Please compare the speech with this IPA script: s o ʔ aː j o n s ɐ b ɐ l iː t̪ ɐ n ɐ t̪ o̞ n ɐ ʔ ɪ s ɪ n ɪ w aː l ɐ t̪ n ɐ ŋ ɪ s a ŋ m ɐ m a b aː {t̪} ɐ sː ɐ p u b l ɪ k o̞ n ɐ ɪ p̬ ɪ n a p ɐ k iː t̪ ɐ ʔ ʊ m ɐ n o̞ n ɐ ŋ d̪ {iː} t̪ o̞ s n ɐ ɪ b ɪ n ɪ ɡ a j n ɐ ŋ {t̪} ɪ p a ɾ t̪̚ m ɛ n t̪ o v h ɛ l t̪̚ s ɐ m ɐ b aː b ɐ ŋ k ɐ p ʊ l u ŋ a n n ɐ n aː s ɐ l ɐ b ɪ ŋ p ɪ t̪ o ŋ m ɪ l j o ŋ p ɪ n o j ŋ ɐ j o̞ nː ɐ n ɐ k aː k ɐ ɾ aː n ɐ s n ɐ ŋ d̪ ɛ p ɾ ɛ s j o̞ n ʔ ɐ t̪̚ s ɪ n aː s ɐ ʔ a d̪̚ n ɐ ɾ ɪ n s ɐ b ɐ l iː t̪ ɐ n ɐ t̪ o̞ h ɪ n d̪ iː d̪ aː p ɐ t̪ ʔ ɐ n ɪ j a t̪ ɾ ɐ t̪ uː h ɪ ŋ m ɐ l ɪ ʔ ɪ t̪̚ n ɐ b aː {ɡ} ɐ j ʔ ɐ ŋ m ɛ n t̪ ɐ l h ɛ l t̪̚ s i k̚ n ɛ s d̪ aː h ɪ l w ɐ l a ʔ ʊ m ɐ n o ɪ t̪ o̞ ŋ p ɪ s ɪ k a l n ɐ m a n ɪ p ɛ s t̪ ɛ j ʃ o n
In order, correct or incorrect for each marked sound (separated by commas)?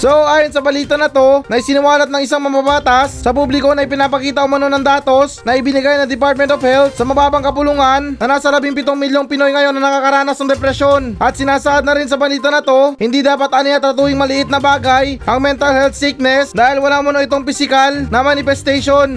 correct, incorrect, incorrect, correct